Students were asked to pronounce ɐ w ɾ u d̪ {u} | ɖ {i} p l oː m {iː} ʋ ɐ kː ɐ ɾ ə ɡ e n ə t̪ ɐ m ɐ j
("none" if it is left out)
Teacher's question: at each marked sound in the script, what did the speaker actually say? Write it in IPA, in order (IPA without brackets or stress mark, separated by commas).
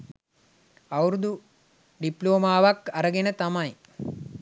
u, i, aː